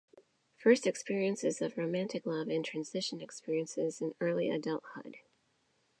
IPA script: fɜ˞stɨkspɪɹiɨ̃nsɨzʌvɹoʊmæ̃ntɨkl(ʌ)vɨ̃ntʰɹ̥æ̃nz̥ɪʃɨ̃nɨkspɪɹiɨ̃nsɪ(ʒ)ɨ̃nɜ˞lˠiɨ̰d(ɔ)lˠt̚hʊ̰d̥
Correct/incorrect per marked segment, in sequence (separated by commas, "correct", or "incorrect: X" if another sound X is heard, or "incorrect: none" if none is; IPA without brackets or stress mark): correct, incorrect: z, incorrect: ʌ